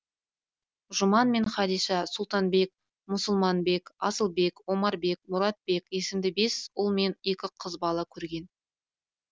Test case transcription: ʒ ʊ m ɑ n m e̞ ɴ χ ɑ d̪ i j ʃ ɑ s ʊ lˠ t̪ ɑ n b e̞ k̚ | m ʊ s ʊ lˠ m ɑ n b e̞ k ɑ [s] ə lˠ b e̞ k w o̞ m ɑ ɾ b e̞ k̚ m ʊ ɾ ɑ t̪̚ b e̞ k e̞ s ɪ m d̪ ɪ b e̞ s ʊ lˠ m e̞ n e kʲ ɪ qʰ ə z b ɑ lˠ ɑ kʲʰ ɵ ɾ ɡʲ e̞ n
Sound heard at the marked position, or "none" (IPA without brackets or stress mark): s